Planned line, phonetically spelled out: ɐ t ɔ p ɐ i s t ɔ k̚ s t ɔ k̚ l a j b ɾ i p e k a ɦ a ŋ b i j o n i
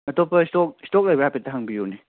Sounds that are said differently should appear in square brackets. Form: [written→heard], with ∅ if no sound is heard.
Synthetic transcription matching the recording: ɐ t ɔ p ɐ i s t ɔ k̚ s t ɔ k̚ l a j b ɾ [i→a] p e [k→t] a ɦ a ŋ b i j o n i